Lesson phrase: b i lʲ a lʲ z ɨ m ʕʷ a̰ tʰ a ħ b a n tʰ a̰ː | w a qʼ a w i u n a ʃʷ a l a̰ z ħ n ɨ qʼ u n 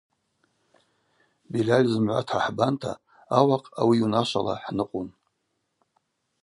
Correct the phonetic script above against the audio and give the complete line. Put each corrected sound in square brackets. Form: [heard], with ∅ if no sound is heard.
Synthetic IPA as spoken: b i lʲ a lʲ z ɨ m ʕʷ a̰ tʰ a ħ b a n tʰ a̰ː | w a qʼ a w i u n a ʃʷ a l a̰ [∅] ħ n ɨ qʼ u n